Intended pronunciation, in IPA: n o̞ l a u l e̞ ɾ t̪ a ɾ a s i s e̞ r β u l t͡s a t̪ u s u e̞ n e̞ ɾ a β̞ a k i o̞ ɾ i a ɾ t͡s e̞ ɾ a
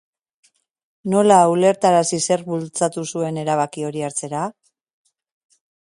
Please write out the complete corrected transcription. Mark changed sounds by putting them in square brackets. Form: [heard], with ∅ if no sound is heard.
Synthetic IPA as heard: n o̞ l a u l e̞ ɾ t̪ a ɾ a s i s e̞ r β u l t͡s a t̪ u s u e̞ n e̞ ɾ a β̞ a k i o̞ ɾ i a ɾ t͡s e̞ ɾ a